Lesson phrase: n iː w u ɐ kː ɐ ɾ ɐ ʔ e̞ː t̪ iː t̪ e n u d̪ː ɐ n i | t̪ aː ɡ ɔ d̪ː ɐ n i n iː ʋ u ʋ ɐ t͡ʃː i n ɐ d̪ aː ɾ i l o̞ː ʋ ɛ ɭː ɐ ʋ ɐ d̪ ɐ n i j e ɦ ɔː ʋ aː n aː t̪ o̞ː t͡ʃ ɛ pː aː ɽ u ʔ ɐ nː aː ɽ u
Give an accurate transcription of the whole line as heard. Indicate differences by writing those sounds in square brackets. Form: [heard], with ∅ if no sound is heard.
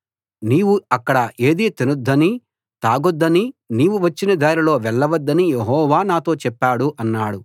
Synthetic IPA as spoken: n iː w u ɐ kː ɐ [ɽ] ɐ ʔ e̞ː [d̪] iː t̪ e n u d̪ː ɐ n i | t̪ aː ɡ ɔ d̪ː ɐ n i n iː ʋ u ʋ ɐ t͡ʃː i n ɐ d̪ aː ɾ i l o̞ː ʋ ɛ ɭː ɐ ʋ ɐ [d̪ː] ɐ n i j e ɦ ɔː ʋ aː n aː t̪ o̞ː t͡ʃ ɛ pː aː ɽ u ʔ ɐ nː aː ɽ u